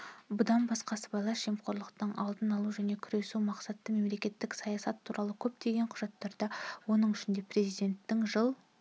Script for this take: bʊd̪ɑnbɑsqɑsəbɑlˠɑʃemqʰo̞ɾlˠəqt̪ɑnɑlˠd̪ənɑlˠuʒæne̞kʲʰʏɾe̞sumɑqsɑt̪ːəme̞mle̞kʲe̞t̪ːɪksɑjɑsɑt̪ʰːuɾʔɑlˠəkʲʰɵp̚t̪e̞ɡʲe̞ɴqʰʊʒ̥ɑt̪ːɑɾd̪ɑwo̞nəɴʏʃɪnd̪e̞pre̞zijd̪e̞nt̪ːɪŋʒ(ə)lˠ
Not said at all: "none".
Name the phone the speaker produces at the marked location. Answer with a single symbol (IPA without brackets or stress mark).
ə